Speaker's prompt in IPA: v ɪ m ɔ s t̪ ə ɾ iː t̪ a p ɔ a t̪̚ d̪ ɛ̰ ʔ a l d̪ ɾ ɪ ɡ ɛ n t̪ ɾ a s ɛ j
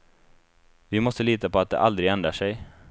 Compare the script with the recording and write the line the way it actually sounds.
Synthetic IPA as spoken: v ɪ m ɔ s t̪ ə l iː t̪ a p ɔ a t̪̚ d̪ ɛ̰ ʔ a l d̪ ɾ ɪ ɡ ɛ n d̪ ɾ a ʂ ɛ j